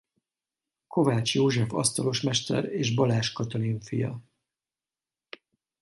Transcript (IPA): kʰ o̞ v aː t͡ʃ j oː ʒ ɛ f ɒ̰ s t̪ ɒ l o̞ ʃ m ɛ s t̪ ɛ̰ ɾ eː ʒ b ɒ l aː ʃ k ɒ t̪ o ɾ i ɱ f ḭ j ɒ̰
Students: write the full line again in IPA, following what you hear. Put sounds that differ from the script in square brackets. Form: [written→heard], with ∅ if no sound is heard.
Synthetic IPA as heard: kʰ o̞ v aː t͡ʃ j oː ʒ ɛ f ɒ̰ s t̪ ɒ l o̞ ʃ m ɛ [s→ʃ] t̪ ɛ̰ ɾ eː ʒ b ɒ l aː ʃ k ɒ t̪ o [ɾ→l] i ɱ f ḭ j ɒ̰